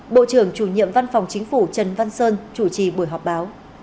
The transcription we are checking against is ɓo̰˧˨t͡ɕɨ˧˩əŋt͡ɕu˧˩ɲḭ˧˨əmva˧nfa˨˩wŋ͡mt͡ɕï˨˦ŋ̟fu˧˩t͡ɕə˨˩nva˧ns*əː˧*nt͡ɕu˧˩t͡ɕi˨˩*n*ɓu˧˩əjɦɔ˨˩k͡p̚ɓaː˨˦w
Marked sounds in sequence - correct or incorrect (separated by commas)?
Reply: correct, incorrect